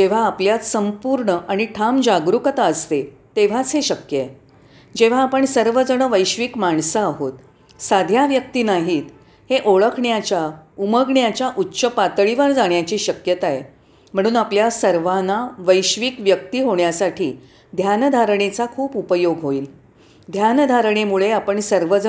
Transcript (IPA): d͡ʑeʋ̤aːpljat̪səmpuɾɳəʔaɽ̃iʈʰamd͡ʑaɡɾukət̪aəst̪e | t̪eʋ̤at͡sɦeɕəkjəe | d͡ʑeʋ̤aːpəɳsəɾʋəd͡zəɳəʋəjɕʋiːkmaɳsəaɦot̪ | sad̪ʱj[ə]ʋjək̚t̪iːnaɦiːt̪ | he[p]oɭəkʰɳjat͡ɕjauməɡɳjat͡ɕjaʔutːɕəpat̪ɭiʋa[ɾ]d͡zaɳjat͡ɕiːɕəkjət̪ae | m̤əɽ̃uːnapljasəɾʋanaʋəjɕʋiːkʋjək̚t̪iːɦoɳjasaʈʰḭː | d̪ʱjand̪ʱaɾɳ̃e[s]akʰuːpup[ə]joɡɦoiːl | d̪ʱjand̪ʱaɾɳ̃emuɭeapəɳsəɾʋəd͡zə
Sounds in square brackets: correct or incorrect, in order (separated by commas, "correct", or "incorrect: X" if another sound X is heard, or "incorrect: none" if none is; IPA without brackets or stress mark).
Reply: incorrect: a, incorrect: ʔ, correct, incorrect: t͡s, correct